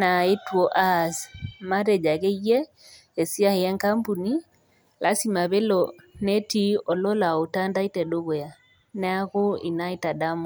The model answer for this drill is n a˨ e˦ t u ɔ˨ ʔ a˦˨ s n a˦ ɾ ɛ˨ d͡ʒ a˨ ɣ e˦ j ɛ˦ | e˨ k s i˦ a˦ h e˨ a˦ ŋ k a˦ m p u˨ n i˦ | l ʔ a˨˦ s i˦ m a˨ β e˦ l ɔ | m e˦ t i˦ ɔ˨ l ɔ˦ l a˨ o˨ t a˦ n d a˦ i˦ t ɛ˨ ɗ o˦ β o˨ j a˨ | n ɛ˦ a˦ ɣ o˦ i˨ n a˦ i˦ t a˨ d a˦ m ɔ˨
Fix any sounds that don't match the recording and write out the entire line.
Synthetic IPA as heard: n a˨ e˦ t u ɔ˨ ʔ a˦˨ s m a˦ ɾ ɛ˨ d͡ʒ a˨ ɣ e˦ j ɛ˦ | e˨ s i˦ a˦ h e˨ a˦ ŋ k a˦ m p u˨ n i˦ | l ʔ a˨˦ s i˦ m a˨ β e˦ l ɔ | n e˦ t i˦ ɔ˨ l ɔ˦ l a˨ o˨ t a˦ n d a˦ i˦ t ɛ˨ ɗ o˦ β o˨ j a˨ | n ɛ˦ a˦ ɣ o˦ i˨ n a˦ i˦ t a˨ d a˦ m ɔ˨